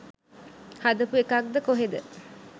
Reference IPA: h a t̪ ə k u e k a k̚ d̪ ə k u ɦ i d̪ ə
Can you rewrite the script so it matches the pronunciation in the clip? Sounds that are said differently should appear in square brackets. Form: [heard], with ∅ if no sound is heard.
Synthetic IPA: h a [d̪] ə [p] u e k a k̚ d̪ ə k [o] ɦ [e] d̪ ə